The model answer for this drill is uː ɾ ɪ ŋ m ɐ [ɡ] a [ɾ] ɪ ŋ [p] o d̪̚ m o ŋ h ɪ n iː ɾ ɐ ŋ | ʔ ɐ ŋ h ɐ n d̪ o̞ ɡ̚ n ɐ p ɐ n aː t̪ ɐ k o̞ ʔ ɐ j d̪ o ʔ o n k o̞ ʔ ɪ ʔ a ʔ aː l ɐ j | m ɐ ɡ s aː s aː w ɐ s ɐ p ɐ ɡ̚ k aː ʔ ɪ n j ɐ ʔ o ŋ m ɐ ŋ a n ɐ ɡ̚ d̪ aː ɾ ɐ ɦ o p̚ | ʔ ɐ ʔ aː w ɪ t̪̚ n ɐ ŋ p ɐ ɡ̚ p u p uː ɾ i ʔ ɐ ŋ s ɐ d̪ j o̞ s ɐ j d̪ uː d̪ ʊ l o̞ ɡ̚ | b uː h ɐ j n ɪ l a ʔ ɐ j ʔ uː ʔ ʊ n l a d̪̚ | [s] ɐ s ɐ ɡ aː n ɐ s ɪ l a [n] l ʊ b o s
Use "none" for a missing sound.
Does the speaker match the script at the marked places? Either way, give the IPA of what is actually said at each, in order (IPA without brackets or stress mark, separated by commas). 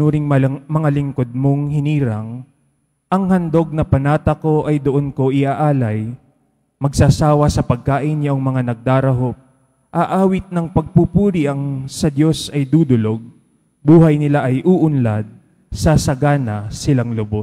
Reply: ŋ, l, k, s, ŋ